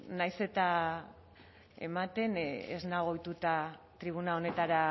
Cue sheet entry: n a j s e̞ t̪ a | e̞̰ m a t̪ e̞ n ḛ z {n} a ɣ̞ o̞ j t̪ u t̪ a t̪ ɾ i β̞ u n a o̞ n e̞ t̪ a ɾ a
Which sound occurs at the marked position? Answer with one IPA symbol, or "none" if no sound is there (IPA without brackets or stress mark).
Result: n